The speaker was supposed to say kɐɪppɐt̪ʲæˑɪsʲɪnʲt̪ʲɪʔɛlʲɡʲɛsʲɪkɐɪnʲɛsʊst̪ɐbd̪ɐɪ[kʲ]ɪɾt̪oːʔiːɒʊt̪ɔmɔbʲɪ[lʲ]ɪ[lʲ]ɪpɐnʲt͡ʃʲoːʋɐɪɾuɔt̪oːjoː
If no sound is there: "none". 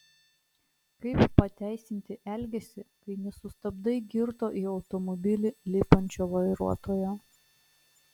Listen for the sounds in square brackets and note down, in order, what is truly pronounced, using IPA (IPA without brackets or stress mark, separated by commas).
ɡʲ, lʲ, lʲ